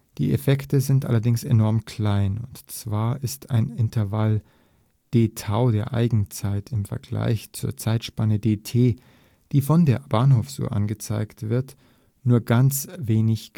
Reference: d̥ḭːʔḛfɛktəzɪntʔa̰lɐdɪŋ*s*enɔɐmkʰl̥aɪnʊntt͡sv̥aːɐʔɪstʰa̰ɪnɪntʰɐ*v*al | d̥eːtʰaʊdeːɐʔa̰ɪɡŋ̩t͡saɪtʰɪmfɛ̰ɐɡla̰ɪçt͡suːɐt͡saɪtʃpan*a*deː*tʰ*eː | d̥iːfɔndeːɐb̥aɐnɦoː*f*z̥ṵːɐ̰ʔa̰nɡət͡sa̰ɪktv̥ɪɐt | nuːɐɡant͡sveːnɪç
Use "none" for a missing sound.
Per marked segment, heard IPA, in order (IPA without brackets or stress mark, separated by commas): s, v, ə, tʰ, f